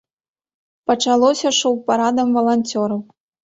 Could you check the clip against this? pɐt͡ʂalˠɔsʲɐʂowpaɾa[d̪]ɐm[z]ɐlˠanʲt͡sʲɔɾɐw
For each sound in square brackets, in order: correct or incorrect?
correct, incorrect: v

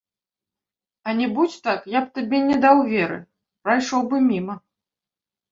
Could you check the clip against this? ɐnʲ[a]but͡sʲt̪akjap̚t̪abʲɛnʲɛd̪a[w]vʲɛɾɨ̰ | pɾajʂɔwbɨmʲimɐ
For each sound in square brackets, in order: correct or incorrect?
incorrect: ɛ, correct

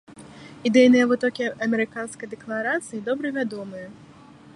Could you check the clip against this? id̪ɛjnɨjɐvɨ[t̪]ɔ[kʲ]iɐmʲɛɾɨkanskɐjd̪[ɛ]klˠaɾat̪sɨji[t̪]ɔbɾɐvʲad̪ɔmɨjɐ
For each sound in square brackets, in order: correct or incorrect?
correct, correct, correct, incorrect: d̪

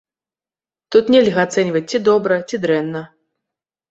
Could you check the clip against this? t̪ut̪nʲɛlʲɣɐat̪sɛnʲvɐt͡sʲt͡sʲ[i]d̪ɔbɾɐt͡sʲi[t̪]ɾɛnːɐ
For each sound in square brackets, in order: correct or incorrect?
correct, incorrect: d̪

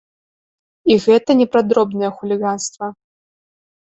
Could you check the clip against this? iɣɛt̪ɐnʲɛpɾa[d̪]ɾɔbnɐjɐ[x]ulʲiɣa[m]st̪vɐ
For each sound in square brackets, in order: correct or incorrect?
correct, correct, incorrect: n

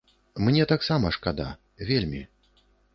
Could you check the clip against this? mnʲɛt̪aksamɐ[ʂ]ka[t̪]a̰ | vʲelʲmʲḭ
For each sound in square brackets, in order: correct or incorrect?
correct, incorrect: d̪

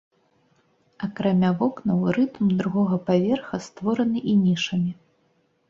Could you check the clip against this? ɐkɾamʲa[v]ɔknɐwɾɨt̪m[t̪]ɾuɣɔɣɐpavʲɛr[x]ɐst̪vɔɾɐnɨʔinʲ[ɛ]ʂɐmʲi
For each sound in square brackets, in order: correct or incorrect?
correct, incorrect: d̪, correct, incorrect: i

